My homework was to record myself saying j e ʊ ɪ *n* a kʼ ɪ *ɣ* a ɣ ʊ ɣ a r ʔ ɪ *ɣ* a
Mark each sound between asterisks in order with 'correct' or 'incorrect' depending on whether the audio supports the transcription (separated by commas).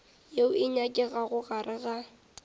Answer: incorrect, correct, correct